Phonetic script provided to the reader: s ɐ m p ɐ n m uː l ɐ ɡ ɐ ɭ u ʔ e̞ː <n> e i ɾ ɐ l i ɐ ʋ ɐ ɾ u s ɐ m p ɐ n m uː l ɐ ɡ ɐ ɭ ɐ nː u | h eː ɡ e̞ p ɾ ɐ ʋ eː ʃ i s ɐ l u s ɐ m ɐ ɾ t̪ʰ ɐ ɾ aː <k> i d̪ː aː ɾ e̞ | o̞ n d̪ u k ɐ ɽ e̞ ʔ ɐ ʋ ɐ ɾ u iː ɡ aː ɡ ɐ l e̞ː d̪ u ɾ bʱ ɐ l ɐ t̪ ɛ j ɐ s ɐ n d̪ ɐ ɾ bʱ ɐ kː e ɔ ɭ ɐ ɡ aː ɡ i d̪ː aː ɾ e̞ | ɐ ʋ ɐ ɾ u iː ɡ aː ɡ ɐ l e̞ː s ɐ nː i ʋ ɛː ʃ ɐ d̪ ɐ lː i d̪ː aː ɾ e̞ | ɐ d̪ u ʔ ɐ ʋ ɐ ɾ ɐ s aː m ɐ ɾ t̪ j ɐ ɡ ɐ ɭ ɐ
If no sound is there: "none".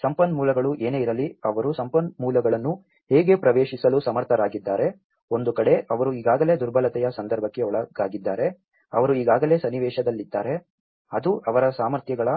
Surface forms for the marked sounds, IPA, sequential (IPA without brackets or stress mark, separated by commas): n, ɡ